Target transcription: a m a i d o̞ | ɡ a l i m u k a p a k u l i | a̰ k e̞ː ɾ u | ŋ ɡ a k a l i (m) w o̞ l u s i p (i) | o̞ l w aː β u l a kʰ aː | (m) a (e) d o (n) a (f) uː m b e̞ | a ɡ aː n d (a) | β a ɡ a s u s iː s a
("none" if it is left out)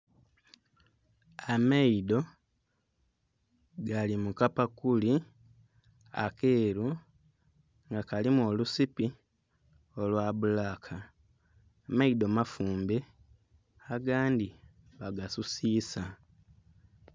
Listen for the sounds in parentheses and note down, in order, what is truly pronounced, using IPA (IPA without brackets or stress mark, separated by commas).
m, i, m, i, m, f, i